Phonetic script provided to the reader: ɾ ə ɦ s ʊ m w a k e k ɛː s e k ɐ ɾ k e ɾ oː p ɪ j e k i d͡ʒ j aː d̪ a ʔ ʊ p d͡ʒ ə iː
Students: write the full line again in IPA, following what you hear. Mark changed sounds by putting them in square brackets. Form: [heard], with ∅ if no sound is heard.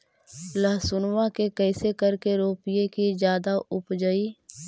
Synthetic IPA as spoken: [l] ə ɦ s ʊ [n] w a k e k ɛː s e k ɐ ɾ k e ɾ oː p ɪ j e k i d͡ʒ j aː d̪ a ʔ ʊ p d͡ʒ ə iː